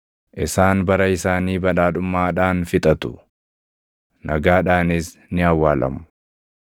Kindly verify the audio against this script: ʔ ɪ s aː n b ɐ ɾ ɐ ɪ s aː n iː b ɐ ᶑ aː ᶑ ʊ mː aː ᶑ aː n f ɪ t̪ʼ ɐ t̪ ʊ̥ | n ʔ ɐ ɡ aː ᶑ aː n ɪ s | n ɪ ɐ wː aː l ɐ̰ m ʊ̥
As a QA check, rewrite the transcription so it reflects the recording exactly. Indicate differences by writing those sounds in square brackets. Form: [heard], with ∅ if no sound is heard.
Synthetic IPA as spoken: ʔ ɪ s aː n b ɐ ɾ ɐ ɪ s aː n iː b ɐ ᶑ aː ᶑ ʊ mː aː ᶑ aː n f ɪ t̪ʼ ɐ t̪ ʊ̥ | n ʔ ɐ ɡ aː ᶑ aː n ɪ s | n ɪ ɐ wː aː l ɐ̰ m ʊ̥